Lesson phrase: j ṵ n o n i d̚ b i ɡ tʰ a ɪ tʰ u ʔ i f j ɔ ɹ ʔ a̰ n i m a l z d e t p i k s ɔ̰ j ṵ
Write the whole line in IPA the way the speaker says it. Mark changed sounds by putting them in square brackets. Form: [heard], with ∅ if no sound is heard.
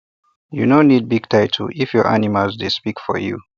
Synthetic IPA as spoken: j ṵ n o n i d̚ b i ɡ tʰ a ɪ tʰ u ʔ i f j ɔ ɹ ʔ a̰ n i m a l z d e [s] p i k [f] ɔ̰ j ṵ